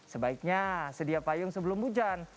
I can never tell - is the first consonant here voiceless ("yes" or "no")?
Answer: yes